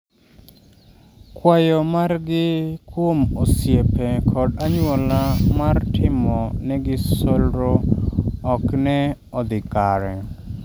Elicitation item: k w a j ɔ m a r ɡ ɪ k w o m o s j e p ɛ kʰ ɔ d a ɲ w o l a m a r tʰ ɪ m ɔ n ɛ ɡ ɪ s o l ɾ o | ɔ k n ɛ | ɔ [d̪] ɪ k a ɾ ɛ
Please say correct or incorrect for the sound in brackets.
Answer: correct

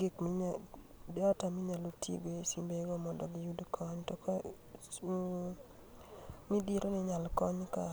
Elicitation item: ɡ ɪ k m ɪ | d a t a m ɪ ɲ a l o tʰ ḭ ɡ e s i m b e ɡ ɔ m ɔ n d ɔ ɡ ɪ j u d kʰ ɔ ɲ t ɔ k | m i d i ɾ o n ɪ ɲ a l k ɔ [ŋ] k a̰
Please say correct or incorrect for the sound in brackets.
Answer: incorrect: ɲ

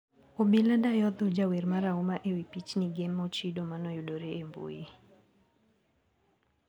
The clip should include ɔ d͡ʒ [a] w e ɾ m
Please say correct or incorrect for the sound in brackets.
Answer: correct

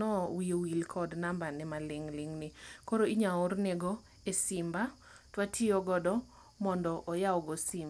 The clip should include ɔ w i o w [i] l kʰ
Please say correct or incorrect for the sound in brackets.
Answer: correct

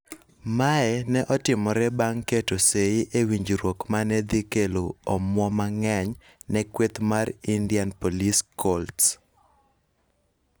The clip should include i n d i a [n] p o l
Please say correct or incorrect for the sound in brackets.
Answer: correct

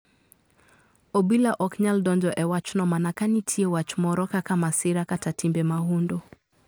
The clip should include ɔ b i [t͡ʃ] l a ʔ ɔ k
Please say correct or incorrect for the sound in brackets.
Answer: incorrect: none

